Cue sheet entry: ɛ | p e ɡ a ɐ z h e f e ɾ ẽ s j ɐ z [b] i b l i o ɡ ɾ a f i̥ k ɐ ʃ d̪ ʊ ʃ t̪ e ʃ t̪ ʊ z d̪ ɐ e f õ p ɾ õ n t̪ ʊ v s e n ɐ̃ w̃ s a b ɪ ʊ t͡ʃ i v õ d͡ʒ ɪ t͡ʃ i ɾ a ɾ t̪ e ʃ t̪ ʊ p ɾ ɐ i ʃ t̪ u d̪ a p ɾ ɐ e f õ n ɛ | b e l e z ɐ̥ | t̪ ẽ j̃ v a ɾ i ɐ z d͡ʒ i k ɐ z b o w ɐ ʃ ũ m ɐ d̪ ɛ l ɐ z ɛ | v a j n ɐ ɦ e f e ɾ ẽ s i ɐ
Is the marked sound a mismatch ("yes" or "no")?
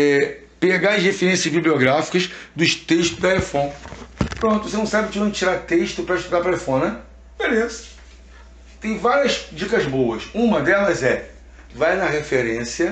no